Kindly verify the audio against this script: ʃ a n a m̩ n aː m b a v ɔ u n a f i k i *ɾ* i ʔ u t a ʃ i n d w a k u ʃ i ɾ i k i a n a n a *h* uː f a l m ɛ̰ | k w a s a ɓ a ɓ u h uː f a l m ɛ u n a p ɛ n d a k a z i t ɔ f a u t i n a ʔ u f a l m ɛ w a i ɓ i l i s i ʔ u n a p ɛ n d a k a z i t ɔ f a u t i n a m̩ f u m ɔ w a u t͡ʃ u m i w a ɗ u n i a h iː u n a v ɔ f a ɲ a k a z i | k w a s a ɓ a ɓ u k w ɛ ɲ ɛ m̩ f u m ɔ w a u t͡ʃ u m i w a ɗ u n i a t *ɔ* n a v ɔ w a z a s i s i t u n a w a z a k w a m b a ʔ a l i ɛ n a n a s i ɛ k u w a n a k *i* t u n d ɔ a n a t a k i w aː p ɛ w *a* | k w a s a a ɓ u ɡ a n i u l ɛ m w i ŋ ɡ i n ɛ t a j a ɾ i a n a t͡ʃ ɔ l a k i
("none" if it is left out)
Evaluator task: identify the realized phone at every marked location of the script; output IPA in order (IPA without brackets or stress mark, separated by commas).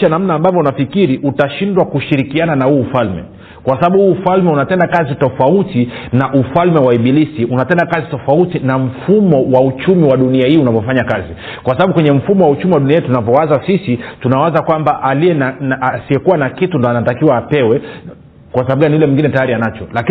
ɾ, h, u, i, ɛ